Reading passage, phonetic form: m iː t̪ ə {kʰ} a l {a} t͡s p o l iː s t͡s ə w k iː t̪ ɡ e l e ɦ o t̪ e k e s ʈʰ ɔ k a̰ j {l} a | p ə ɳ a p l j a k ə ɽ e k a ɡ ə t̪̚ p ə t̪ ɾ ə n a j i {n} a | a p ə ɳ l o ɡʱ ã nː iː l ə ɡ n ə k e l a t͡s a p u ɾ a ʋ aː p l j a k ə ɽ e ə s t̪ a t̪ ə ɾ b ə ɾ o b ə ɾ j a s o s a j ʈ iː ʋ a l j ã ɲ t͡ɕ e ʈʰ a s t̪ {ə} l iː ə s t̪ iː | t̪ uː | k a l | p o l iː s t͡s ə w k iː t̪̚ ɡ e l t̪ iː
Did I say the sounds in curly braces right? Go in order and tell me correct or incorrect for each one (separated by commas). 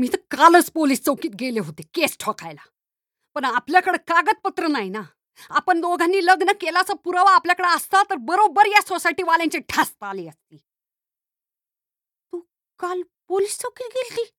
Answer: incorrect, incorrect, correct, correct, incorrect